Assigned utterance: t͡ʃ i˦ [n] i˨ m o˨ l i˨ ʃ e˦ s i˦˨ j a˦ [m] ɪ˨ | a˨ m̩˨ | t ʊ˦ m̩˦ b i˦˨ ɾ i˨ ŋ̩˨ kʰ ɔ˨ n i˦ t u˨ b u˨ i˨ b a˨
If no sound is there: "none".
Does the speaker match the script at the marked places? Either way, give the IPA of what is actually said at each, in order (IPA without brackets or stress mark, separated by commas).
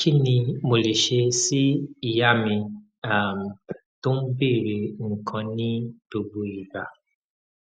n, m